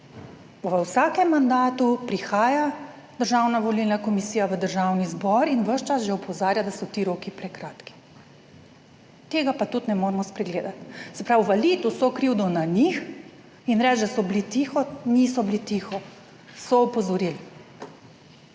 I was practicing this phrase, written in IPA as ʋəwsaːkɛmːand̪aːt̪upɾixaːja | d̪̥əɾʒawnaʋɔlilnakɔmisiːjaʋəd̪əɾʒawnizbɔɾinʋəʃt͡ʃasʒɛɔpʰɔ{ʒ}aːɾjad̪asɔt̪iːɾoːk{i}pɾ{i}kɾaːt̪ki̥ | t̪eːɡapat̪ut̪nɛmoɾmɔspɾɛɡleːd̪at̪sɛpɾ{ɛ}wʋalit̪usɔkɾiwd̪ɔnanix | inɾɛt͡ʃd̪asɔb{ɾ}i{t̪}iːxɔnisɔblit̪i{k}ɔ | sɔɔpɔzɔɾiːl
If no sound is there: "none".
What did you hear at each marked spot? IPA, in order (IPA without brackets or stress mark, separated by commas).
z, i, ɛ, a, l, t̪, x